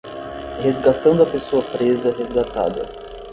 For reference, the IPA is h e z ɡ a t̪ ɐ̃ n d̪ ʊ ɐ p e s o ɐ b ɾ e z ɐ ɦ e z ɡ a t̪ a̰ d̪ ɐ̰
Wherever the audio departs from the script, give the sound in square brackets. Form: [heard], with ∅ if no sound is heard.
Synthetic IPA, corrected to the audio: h e z ɡ a t̪ ɐ̃ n d̪ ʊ ɐ p e s o ɐ [p] ɾ e z ɐ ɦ e z ɡ a t̪ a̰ d̪ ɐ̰